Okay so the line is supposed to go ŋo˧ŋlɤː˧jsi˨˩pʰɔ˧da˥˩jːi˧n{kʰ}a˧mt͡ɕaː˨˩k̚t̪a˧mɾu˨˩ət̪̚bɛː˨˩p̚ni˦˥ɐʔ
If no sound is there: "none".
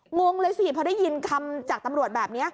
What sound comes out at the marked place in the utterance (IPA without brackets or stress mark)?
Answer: kʰ